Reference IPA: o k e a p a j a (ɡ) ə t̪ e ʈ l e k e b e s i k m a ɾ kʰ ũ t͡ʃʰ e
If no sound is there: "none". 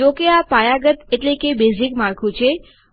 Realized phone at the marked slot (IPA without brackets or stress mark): ɡ